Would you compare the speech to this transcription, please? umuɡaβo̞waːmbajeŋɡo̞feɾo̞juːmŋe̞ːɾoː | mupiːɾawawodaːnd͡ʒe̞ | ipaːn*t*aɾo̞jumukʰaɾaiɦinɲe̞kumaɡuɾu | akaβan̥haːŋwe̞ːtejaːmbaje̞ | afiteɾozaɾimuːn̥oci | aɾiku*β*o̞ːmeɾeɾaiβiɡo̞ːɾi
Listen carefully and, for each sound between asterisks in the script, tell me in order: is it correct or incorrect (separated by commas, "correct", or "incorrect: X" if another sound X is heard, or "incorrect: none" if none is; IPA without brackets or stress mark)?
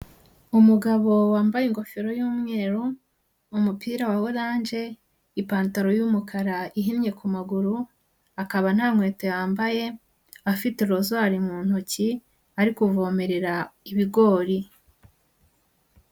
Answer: correct, incorrect: v